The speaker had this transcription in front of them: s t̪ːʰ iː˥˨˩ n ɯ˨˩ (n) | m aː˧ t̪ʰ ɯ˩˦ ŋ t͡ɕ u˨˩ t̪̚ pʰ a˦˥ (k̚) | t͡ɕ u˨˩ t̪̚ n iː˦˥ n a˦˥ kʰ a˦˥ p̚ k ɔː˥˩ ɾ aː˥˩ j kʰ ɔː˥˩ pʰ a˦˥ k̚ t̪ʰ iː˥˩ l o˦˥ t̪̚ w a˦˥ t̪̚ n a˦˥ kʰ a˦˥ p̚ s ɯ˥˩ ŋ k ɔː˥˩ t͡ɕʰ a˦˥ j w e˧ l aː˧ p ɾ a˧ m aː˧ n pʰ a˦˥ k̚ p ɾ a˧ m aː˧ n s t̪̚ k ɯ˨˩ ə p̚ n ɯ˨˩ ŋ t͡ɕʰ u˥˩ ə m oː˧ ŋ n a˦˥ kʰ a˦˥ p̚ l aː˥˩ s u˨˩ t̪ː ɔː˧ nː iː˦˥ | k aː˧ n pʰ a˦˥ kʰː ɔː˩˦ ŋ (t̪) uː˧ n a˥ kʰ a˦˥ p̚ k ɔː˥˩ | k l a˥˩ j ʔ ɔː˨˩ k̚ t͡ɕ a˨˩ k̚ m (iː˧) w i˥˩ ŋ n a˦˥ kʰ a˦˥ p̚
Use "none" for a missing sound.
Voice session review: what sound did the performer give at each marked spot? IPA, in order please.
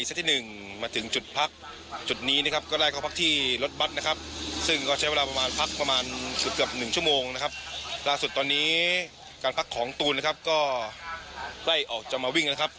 ŋ, k̚, t̪, aː˧

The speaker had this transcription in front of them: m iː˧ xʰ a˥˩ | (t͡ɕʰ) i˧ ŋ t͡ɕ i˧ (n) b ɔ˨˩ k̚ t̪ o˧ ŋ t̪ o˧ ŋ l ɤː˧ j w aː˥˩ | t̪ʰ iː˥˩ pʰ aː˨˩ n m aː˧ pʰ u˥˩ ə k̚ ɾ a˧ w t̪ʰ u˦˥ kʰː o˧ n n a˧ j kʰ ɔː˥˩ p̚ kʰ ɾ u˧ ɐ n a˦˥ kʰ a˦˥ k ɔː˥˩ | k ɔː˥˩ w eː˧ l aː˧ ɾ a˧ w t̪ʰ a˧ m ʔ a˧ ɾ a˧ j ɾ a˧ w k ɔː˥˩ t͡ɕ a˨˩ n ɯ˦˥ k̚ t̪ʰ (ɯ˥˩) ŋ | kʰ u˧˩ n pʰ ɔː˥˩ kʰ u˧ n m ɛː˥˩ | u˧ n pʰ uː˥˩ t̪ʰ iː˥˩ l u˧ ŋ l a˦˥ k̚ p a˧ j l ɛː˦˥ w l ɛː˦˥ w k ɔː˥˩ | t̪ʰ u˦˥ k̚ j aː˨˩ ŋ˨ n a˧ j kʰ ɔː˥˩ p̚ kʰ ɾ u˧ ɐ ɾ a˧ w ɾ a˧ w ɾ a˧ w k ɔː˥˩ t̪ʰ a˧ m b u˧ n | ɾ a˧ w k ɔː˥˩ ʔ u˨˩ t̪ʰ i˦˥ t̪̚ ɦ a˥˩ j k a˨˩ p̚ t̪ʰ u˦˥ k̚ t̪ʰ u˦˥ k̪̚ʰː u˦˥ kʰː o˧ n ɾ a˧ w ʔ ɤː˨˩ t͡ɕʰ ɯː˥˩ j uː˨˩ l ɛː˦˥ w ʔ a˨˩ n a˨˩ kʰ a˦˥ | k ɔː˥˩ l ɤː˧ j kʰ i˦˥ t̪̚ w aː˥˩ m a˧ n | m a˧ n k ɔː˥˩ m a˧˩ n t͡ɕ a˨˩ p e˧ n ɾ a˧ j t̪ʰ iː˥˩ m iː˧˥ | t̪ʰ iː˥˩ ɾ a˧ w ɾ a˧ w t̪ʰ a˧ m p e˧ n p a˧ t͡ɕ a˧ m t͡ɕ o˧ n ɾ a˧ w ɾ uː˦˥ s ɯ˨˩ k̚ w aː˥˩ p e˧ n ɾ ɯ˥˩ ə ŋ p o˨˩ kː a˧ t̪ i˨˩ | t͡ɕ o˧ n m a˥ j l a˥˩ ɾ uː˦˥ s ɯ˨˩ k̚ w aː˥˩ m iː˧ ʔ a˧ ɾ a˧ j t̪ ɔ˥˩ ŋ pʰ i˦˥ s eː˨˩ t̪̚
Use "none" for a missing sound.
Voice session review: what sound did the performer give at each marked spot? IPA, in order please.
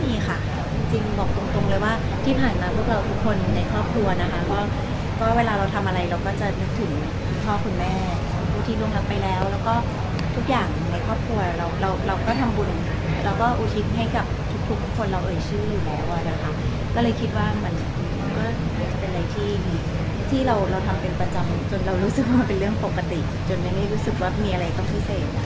t͡ɕ, ŋ, ɯ˩˦

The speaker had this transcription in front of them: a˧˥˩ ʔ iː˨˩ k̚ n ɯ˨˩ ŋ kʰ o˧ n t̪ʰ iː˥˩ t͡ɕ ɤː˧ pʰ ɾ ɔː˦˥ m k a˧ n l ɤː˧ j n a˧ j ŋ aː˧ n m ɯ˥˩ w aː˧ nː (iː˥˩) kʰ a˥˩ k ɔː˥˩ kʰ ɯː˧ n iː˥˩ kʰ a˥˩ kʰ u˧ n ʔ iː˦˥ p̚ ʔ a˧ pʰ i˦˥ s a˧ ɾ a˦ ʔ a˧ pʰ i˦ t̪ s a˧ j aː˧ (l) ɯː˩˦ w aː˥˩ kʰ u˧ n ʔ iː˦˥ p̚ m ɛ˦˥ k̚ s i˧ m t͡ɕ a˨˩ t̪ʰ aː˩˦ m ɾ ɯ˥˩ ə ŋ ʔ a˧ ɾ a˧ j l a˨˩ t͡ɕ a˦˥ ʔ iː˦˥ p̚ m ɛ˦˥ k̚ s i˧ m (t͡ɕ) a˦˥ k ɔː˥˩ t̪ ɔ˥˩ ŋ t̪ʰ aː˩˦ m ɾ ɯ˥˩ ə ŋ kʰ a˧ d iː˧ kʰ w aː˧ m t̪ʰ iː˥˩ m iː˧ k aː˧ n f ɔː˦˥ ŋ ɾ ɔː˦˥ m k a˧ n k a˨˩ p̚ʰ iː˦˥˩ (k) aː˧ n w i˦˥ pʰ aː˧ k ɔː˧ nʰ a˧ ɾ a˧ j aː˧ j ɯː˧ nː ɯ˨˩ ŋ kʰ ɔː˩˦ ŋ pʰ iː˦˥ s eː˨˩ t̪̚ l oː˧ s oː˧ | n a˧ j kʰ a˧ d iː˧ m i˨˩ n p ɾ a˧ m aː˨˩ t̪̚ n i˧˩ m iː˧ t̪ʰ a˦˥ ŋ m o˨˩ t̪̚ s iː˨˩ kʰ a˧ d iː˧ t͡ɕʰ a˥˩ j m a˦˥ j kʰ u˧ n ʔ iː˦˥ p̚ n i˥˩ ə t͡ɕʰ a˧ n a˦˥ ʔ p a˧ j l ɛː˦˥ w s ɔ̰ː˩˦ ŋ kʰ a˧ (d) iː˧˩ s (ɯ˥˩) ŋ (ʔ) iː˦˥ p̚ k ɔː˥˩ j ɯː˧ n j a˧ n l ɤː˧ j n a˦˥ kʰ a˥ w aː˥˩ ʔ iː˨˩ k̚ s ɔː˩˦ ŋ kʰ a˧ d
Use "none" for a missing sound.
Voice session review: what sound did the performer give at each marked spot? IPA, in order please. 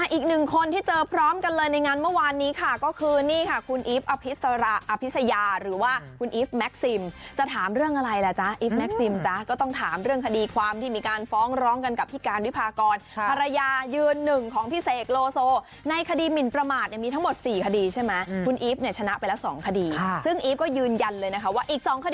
iː˦˥, ɾ, t͡ɕ, k, d, ɯ˥˩, ʔ

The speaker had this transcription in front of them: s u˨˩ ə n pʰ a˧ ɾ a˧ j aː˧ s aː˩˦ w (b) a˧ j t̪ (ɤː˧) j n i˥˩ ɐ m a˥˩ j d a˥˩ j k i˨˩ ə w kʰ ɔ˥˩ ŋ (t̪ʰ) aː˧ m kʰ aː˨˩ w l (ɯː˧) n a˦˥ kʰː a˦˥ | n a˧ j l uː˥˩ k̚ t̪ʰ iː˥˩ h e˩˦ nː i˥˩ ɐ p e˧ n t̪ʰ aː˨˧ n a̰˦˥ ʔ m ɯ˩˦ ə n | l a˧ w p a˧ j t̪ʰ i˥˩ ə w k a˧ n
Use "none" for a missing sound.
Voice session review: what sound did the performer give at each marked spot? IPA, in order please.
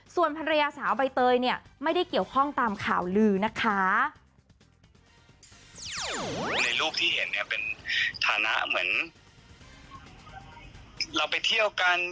b, ɤː˧, t̪, ɯː˧

